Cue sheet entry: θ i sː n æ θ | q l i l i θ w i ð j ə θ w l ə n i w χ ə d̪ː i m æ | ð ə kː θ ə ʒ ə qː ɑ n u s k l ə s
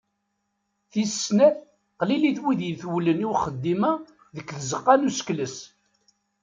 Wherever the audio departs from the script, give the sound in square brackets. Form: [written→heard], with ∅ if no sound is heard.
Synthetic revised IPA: θ i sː n æ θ | q l i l i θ w i ð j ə θ w l ə n i w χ ə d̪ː i m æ | ð ə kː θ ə [ʒ→z] ə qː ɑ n u s k l ə s